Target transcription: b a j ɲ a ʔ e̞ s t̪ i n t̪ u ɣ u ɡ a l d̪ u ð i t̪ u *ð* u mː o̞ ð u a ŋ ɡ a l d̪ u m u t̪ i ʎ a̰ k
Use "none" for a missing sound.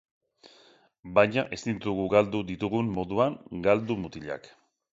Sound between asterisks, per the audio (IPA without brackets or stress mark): ɣ